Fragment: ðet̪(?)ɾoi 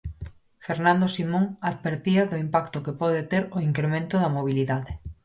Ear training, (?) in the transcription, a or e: e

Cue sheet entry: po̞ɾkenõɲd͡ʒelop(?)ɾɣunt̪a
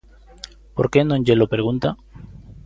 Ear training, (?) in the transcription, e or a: e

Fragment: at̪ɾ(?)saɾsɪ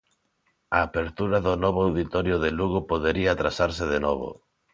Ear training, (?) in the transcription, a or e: a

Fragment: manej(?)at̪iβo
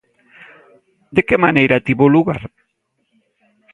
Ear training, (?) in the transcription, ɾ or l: ɾ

